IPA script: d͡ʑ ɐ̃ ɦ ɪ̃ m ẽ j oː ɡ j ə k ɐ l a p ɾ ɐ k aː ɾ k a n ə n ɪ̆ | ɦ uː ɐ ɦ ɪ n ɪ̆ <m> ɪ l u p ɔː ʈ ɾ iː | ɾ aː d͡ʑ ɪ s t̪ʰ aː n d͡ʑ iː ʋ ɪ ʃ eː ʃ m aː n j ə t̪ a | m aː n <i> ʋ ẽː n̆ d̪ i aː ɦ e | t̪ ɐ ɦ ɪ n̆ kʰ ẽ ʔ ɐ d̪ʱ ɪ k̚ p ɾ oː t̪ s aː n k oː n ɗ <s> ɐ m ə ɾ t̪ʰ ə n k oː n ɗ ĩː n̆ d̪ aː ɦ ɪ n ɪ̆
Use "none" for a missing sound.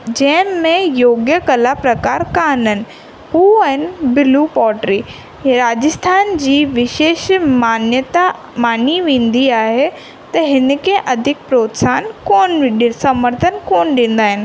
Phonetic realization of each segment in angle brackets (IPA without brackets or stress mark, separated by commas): b, i, s